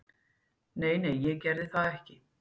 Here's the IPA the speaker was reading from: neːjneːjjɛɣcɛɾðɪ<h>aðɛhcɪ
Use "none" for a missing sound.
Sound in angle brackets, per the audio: θ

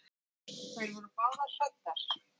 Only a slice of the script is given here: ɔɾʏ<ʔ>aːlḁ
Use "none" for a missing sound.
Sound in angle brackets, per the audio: p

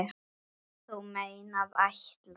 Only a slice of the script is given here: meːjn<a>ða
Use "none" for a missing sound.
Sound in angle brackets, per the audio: a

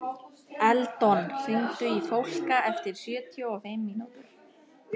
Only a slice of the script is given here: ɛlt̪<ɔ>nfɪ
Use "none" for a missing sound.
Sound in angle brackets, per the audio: ɔ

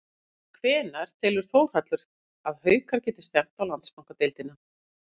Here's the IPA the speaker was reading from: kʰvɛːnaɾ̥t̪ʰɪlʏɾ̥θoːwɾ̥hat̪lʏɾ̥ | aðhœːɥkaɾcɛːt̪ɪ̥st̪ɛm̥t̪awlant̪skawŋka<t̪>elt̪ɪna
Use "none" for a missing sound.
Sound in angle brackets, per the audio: t̪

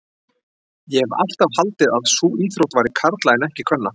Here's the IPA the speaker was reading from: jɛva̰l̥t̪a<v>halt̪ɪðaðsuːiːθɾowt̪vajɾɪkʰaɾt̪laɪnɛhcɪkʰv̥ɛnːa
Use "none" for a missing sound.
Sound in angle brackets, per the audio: v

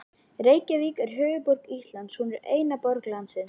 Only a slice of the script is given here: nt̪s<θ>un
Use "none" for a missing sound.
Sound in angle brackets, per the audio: h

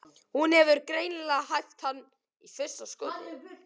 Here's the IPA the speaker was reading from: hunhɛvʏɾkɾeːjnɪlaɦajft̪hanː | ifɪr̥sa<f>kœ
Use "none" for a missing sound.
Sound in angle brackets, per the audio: s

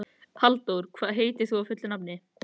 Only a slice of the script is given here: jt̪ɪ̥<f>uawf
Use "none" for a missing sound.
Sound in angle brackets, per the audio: θ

